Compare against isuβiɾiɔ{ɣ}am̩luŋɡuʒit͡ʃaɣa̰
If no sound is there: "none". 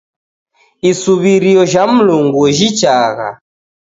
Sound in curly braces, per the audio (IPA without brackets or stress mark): ʒ